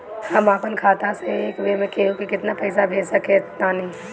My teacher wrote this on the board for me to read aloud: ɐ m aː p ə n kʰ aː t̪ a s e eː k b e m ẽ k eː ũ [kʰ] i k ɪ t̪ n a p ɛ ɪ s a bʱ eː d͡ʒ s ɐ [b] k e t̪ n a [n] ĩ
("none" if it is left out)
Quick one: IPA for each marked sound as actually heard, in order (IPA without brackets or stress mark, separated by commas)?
k, none, n